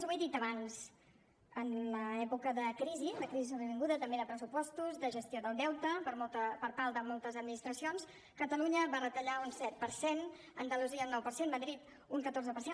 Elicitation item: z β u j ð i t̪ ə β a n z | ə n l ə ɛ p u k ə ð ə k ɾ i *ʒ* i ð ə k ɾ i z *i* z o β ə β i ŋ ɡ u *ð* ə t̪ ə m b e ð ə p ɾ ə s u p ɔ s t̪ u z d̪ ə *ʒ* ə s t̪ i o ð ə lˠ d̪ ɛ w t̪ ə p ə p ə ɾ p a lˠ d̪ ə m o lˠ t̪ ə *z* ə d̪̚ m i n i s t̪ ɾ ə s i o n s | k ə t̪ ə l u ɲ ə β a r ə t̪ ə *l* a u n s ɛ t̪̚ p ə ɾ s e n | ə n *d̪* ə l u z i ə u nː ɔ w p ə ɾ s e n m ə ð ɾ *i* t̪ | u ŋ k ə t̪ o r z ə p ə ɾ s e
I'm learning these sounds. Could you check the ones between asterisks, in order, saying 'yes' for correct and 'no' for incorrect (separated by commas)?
no, yes, yes, yes, yes, no, yes, yes